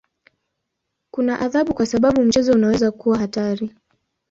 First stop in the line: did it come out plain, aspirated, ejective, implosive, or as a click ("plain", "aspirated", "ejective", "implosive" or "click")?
plain